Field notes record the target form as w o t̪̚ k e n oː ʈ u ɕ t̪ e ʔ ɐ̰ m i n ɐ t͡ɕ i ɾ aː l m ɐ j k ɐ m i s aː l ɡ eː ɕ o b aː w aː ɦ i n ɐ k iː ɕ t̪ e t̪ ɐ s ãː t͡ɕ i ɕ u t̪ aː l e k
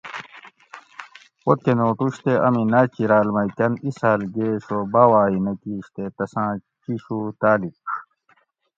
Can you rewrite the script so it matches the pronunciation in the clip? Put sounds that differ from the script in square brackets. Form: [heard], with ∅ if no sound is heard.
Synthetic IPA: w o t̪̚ k e n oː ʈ u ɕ t̪ e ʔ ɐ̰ m i n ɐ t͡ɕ i ɾ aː l m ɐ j k ɐ [n] i s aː l ɡ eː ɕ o b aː w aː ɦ i n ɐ k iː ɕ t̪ e t̪ ɐ s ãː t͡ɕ i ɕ u t̪ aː l [i] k